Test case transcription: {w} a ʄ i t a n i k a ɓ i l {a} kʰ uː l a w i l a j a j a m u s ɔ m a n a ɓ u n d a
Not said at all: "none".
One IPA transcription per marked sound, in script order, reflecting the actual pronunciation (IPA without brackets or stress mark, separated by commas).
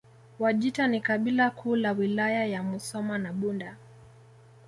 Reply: w, a